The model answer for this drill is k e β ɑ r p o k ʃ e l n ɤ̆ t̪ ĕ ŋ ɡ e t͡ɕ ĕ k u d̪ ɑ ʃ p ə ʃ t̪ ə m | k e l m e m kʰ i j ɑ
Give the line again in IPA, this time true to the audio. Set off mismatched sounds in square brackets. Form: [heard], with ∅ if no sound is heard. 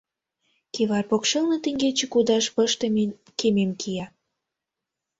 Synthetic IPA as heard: k e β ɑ r p o k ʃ e l n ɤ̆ t̪ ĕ ŋ ɡ e t͡ɕ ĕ k u d̪ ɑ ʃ p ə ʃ t̪ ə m | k e [∅] m e m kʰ i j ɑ